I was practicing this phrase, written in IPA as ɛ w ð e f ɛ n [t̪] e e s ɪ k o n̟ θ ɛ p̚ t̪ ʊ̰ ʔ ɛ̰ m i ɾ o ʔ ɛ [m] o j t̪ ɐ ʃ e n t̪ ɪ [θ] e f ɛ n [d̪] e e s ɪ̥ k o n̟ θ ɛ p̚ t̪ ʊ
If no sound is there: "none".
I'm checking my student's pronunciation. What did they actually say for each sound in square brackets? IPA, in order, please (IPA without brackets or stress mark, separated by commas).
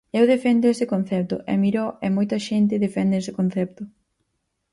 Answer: d̪, m, ð, d̪